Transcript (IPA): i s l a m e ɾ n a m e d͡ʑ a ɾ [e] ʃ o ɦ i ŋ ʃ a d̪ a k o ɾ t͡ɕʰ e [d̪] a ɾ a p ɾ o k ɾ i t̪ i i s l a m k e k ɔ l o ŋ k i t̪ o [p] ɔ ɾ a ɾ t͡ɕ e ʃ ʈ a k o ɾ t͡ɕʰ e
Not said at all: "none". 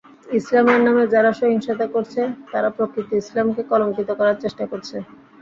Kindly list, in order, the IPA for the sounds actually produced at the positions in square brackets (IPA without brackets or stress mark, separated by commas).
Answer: a, t̪, k